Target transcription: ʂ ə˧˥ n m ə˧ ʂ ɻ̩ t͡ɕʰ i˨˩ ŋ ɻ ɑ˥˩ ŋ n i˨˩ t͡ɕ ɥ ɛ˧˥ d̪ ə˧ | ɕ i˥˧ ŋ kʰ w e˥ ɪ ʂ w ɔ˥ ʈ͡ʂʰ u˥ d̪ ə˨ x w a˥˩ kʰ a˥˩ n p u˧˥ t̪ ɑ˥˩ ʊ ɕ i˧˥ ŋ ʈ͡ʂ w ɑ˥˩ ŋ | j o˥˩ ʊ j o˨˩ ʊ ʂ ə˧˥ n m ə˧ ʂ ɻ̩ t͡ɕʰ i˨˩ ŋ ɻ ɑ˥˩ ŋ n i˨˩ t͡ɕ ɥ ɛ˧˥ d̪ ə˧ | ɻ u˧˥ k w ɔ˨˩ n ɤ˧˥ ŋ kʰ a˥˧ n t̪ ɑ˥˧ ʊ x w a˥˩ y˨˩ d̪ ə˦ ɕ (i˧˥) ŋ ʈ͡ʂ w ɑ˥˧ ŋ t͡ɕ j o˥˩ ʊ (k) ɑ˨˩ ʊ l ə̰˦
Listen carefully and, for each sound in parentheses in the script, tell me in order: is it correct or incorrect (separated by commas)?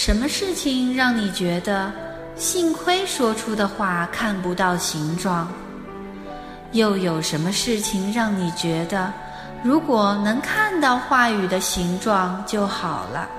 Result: correct, incorrect